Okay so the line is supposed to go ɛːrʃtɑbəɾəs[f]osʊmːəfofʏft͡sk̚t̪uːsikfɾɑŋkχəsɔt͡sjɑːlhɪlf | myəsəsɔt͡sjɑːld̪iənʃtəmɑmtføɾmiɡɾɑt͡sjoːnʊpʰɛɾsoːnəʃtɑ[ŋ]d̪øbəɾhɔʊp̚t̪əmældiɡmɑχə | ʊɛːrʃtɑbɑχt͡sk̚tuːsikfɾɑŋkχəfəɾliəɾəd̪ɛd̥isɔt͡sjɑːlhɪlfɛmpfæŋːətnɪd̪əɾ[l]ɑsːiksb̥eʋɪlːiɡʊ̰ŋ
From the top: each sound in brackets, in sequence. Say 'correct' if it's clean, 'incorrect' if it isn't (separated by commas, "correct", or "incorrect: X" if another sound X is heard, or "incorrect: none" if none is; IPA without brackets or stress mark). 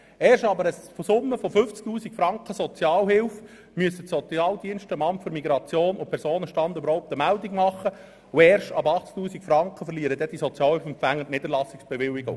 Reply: correct, incorrect: n, correct